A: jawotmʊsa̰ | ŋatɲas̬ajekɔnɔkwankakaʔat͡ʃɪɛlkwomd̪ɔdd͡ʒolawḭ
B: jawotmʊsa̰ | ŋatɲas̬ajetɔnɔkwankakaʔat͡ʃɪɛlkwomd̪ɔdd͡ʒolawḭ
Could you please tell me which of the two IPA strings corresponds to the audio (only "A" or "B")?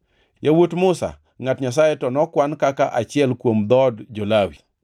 B